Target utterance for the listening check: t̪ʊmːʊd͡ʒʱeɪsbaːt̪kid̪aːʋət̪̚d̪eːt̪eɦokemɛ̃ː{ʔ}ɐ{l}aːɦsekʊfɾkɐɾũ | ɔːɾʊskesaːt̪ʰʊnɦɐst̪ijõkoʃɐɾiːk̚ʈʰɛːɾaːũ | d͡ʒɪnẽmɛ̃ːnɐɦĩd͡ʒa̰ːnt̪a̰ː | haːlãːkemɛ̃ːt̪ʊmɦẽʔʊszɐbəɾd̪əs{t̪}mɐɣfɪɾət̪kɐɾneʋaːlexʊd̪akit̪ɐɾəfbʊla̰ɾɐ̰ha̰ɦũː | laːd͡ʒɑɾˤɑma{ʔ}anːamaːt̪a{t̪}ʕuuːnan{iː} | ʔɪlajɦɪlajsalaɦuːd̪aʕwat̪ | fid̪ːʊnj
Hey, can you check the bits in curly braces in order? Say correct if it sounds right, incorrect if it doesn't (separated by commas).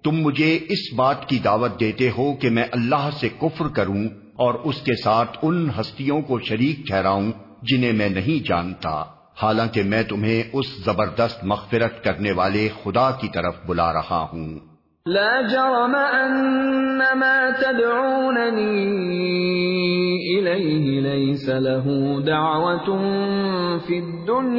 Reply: correct, incorrect, correct, correct, incorrect, correct